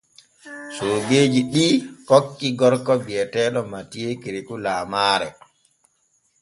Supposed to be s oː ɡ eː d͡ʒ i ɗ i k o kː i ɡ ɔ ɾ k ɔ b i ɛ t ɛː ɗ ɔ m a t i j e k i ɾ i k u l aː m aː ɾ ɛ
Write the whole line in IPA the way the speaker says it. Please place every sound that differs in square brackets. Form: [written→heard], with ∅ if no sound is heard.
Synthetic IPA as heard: s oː ɡ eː d͡ʒ i ɗ i k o kː i ɡ ɔ ɾ k ɔ b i ɛ t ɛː ɗ ɔ m a t i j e k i ɾ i k u l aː m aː ɾ ɛ